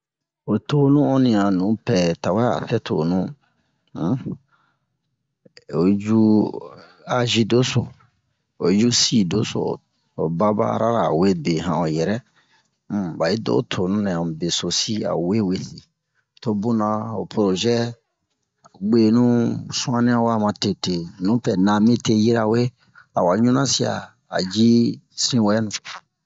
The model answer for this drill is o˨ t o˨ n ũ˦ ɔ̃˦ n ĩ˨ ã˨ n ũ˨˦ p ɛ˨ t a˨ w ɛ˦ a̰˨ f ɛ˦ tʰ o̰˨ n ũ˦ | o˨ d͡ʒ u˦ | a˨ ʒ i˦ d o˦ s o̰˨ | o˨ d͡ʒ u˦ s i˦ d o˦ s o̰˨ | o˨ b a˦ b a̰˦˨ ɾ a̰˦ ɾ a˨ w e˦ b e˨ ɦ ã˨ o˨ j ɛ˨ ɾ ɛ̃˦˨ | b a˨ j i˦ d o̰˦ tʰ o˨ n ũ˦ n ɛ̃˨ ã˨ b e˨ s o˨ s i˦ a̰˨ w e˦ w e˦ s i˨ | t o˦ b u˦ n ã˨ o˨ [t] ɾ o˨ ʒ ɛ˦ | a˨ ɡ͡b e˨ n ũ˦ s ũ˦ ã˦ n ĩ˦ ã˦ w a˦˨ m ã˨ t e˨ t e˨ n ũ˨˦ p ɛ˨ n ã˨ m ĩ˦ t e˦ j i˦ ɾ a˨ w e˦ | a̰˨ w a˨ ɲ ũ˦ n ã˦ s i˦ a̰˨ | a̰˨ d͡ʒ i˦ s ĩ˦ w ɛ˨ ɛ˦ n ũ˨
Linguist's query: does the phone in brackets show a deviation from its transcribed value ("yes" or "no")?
yes